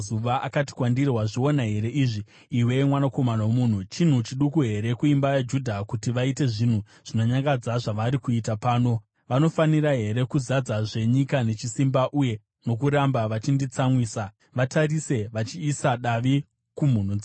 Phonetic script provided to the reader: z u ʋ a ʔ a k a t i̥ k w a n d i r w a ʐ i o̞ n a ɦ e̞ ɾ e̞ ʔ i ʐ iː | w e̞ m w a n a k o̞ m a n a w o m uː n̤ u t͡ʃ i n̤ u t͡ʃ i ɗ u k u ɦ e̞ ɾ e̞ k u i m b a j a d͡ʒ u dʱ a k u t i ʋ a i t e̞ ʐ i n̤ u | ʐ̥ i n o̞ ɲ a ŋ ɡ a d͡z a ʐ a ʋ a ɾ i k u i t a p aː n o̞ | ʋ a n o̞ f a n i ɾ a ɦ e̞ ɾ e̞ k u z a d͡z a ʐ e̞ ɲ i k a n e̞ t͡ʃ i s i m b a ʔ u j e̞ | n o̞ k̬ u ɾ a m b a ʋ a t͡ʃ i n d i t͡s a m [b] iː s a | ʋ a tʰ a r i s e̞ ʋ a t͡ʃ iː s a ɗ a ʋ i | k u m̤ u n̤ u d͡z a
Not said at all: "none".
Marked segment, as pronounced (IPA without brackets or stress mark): w